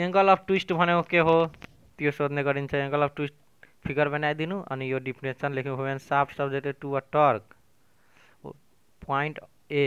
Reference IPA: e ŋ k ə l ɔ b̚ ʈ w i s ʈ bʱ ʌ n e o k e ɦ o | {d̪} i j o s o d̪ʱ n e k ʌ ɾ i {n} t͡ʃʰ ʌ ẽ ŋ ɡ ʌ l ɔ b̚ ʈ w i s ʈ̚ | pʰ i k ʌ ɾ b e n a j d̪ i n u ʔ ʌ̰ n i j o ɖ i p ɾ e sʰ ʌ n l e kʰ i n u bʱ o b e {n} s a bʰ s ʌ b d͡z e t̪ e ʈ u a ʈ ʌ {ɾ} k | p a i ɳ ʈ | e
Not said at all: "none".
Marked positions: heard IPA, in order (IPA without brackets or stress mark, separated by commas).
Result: t̪, n, n, ɾ